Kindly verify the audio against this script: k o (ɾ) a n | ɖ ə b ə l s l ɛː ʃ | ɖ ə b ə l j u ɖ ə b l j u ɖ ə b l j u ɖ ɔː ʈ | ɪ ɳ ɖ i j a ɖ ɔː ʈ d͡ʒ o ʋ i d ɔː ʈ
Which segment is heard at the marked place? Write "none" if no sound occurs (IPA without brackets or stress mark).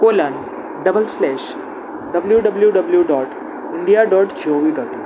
l